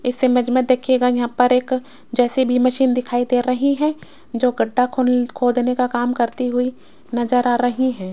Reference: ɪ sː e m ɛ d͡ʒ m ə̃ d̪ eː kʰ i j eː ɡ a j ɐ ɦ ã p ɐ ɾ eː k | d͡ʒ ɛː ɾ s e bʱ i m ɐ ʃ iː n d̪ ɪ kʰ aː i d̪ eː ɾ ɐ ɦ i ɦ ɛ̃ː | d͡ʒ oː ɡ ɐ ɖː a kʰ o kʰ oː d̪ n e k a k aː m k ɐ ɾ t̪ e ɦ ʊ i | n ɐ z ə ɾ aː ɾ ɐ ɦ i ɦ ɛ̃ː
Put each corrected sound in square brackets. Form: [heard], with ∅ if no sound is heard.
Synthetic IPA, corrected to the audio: ɪ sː e m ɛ d͡ʒ m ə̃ d̪ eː kʰ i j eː ɡ a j ɐ ɦ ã p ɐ ɾ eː k | d͡ʒ ɛː [∅] s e bʱ i m ɐ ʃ iː n d̪ ɪ kʰ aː i d̪ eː ɾ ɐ ɦ i ɦ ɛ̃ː | d͡ʒ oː ɡ ɐ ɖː a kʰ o kʰ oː d̪ n e k a k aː m k ɐ ɾ t̪ [i] ɦ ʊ i | n ɐ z ə ɾ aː ɾ ɐ ɦ i ɦ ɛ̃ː